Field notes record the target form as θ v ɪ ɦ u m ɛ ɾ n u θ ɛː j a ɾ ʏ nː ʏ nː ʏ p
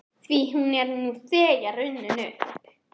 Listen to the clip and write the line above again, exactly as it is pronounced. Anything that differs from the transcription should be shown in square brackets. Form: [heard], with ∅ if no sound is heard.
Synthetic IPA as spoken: θ v [i] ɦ u [n] ɛ ɾ n u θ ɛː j a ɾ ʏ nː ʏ [n] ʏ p